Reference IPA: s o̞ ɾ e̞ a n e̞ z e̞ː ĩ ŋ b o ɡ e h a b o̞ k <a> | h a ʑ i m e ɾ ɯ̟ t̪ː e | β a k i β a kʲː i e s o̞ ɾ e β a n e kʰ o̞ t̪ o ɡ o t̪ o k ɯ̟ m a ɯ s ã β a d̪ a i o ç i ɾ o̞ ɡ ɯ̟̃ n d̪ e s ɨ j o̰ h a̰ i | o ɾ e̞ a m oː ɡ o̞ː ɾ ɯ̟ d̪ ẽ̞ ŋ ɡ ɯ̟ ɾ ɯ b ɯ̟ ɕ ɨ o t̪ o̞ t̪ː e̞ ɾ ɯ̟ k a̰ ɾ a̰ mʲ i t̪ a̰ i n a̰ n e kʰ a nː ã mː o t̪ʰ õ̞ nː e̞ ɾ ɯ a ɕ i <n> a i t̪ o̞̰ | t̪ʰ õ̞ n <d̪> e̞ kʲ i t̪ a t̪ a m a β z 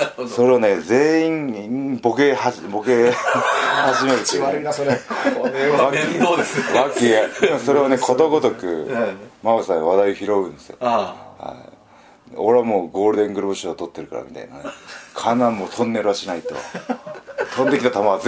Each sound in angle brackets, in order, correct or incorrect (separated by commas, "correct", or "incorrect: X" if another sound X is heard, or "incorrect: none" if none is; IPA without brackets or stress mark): incorrect: e, correct, correct